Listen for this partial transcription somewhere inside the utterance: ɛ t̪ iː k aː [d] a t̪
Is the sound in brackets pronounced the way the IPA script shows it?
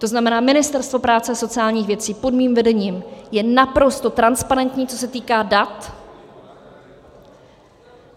yes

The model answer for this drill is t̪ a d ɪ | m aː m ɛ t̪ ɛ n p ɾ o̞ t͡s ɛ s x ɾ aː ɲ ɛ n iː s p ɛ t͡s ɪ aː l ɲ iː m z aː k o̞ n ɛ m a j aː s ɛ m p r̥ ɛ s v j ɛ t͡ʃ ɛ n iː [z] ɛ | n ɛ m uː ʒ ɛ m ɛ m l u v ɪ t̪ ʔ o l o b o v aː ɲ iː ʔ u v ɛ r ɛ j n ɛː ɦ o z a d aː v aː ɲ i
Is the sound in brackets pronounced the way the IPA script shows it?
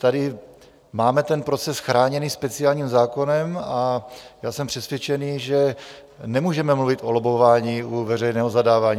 no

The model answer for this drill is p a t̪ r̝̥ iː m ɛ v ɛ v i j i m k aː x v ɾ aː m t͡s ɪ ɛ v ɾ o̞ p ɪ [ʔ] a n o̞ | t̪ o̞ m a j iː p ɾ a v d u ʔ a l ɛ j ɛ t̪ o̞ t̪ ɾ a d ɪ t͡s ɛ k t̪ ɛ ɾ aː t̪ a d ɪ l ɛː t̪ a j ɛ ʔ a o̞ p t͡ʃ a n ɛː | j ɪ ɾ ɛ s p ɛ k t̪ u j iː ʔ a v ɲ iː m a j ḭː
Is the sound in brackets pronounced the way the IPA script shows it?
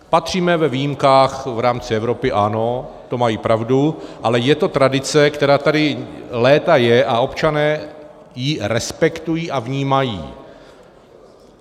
yes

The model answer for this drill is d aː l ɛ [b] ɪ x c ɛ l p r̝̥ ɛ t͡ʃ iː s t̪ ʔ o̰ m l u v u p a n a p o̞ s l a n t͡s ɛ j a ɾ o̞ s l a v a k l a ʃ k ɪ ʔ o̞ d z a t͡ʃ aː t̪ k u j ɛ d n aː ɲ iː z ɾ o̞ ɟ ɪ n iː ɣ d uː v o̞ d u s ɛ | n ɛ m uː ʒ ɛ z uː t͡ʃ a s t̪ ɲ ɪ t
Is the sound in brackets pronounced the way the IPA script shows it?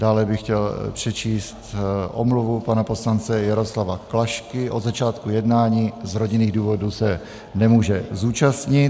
yes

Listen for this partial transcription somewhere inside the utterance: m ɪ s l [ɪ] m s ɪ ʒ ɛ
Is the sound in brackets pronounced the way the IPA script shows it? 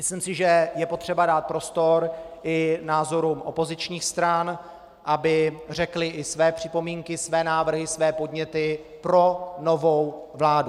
no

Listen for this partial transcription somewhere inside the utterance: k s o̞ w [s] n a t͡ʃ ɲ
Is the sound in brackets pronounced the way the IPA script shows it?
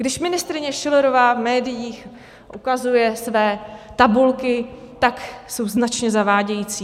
no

